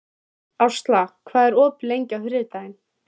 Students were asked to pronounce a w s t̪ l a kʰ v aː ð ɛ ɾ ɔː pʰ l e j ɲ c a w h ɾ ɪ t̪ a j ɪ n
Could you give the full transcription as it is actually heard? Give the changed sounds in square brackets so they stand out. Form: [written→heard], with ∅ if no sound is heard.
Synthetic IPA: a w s t̪ l a kʰ v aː ð ɛ ɾ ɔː [pʰ→p] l e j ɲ c a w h ɾ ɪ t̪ a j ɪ n